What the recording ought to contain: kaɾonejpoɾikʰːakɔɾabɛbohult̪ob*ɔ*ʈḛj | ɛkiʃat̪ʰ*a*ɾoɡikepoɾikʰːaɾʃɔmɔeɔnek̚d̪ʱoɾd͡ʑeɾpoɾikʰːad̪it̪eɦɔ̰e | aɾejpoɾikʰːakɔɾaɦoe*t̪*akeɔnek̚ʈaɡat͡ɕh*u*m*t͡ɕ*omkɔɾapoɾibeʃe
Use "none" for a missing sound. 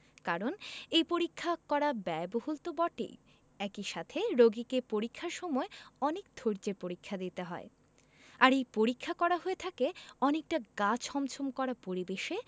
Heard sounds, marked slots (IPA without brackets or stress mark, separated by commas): ɔ, e, t̪ʰ, ɔ, t͡ɕʰ